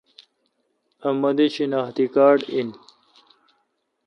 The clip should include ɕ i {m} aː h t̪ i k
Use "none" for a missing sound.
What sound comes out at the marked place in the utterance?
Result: n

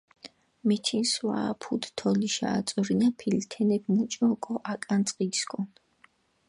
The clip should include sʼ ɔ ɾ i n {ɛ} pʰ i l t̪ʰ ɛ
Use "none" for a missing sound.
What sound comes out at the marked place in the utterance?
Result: a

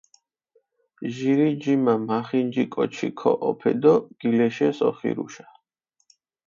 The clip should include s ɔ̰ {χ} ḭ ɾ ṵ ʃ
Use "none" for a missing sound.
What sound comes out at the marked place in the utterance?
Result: χ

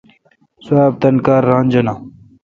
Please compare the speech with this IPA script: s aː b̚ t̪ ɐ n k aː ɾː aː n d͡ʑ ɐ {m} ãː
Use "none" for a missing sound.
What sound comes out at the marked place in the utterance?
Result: n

